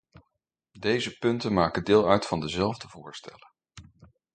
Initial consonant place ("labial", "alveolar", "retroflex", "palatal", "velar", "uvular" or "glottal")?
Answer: alveolar